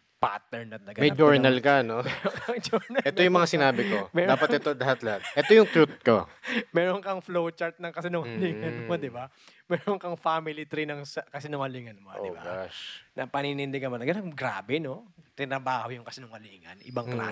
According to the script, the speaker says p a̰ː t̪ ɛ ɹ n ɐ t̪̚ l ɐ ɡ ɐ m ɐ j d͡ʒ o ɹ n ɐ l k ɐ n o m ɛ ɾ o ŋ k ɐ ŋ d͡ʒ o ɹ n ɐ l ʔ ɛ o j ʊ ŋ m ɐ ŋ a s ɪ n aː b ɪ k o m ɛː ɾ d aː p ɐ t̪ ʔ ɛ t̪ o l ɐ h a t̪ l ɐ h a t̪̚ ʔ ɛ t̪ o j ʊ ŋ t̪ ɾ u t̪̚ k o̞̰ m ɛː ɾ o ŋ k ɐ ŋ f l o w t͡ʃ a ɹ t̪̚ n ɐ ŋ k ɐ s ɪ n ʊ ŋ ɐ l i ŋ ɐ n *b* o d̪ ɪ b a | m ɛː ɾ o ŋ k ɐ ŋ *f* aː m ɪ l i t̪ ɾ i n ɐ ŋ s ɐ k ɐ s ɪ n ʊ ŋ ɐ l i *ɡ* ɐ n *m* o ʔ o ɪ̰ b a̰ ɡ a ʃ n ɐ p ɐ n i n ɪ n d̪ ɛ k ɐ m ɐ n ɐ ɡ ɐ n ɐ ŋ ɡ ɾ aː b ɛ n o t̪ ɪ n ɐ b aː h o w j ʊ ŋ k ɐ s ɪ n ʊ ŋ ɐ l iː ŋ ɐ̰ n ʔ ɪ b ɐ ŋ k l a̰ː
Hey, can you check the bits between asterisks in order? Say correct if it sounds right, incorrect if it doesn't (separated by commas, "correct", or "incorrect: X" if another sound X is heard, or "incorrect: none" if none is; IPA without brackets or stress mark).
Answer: incorrect: m, correct, incorrect: ŋ, correct